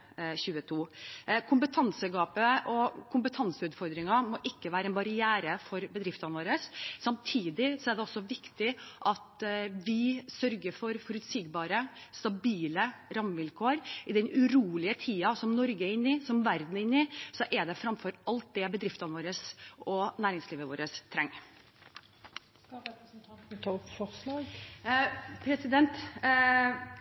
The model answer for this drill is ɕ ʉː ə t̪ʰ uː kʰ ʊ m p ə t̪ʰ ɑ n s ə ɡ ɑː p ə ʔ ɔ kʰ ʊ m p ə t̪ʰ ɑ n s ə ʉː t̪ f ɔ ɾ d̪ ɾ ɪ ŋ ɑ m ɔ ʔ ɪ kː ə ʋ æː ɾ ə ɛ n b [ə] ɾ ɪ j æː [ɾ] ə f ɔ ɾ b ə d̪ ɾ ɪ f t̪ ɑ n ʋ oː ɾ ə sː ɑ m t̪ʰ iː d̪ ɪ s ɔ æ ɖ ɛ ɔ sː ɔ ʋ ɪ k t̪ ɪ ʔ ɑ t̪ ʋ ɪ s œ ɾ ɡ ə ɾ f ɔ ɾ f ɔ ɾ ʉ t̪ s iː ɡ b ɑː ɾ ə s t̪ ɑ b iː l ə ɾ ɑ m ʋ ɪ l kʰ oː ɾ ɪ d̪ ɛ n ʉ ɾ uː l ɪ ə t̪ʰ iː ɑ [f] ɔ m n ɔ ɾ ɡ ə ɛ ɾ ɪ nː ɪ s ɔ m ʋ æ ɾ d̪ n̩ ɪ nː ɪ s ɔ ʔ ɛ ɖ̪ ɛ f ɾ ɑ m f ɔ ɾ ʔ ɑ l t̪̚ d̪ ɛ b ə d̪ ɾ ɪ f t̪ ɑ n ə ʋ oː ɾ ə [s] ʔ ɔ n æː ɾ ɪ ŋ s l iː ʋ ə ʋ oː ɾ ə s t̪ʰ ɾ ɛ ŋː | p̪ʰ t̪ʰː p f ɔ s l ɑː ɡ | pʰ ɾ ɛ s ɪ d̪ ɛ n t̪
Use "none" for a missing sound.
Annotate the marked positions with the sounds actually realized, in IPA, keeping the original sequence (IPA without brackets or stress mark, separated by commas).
ɑ, ɾ, s, s